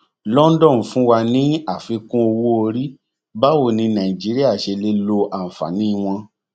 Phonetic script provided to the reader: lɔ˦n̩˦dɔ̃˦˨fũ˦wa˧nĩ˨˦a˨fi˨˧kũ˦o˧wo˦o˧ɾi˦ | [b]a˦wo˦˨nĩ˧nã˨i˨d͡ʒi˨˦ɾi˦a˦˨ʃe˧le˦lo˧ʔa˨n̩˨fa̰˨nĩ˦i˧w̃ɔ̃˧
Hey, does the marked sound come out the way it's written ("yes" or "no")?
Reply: yes